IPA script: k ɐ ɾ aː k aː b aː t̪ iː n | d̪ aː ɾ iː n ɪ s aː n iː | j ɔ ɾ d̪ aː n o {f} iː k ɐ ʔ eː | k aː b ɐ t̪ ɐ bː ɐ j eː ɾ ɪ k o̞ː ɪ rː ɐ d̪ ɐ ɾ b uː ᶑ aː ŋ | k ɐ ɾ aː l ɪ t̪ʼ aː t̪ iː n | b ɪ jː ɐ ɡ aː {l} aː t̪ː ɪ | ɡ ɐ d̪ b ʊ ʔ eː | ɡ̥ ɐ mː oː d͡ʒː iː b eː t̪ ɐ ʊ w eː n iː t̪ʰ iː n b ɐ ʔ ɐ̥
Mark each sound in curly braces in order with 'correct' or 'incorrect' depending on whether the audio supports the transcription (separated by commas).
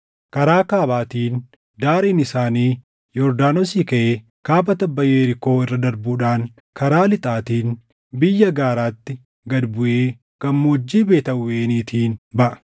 incorrect, incorrect